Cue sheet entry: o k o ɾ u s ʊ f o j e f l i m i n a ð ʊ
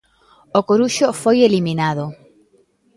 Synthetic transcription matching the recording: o k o ɾ u ʃ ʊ f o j e l i m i n a ð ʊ